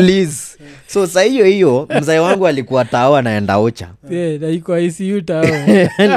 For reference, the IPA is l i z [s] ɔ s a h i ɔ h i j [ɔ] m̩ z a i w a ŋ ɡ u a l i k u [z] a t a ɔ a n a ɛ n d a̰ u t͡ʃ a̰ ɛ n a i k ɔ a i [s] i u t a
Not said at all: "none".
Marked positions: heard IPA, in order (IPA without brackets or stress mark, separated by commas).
s, ɔ, none, s